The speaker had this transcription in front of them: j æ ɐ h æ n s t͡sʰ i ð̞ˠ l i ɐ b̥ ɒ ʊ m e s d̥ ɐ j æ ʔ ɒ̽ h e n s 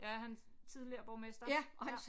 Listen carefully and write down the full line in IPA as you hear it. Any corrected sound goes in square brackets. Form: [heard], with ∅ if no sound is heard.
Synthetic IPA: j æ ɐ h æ n s t͡sʰ i ð̞ˠ l i ɐ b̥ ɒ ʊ m e s d̥ ɐ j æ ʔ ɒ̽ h [æ] n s